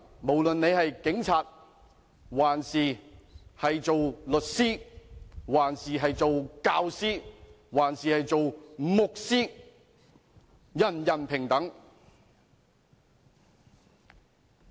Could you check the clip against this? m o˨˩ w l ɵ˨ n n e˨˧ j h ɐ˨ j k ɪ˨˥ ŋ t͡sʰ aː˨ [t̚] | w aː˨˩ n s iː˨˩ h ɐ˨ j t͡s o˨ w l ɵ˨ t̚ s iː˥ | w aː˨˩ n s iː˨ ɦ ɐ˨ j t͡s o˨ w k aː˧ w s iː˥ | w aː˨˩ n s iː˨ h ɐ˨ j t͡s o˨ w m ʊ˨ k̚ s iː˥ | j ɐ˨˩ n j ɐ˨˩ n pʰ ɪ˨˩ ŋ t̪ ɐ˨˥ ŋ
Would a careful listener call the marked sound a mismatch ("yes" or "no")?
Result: no